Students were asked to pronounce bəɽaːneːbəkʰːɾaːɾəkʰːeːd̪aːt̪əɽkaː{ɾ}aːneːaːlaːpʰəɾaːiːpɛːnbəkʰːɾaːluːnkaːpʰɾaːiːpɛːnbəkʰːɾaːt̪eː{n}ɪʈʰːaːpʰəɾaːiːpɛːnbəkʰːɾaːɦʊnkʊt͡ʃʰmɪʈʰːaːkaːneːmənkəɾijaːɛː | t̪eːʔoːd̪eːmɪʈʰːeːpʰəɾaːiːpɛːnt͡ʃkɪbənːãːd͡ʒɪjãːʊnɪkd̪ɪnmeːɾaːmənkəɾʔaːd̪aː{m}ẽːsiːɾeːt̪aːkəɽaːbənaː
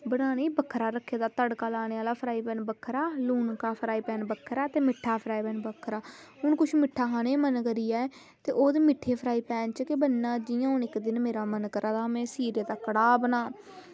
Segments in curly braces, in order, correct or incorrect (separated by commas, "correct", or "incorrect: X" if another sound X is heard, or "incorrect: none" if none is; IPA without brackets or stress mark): incorrect: l, incorrect: m, correct